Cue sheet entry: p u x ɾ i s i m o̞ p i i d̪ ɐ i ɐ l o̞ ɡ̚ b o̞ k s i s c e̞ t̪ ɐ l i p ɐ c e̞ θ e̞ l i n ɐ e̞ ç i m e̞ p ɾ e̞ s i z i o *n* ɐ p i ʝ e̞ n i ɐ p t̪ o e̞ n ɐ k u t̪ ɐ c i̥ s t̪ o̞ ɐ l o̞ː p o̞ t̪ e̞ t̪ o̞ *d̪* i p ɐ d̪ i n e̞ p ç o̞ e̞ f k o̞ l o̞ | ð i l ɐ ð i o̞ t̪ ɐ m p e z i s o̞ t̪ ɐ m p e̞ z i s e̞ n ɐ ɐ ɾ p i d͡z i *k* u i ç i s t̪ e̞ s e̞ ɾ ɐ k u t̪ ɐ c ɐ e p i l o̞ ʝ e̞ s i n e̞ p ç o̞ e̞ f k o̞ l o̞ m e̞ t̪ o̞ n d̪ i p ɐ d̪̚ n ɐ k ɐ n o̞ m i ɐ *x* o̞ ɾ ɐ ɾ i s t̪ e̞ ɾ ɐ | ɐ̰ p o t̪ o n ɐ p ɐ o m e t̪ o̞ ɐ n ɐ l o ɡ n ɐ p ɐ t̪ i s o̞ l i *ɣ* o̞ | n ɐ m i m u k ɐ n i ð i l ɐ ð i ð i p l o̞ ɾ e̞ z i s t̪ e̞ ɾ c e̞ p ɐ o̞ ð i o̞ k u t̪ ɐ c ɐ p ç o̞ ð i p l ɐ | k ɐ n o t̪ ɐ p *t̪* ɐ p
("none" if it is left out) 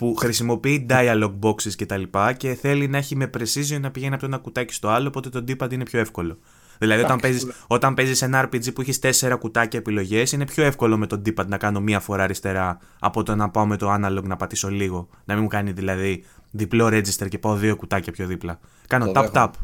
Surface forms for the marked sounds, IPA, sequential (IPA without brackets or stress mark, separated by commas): n, d̪, p, f, ɣ, t̪